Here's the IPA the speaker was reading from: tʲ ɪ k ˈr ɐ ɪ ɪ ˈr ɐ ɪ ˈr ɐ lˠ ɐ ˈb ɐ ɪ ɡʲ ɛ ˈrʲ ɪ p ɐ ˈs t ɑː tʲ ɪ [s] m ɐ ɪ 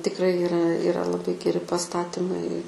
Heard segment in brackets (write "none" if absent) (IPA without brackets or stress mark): none